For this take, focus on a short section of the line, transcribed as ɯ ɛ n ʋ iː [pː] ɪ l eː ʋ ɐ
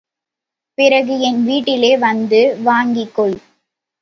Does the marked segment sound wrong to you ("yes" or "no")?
yes